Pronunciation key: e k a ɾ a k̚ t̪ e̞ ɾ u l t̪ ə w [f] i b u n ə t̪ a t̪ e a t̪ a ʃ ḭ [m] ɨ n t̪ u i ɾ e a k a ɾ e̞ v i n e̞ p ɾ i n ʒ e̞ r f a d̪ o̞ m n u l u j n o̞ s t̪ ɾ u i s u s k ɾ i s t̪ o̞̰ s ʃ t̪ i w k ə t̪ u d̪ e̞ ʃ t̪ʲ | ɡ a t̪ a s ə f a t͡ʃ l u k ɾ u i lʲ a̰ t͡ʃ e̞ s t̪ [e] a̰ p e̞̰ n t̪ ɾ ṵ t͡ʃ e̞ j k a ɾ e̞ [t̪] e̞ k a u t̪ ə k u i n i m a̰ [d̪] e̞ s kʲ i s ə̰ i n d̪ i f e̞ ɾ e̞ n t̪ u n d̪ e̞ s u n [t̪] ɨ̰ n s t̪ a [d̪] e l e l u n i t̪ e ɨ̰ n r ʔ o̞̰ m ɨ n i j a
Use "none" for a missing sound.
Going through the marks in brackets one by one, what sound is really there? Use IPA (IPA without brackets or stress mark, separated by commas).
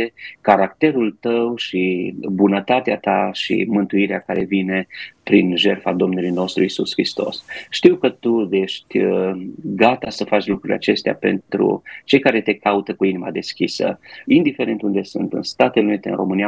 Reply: ʃ, m, e, t̪, d̪, t̪, t̪